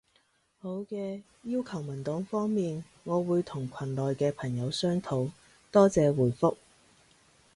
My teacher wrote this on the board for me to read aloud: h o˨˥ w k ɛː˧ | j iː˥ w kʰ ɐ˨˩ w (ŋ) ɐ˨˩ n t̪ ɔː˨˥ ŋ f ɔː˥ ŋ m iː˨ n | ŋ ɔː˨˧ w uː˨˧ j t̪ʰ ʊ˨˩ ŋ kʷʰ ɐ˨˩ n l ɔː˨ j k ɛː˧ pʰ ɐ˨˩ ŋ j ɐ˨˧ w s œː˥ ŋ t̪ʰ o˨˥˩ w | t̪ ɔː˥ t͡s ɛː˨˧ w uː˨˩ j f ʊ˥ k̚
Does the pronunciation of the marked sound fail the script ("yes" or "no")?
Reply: yes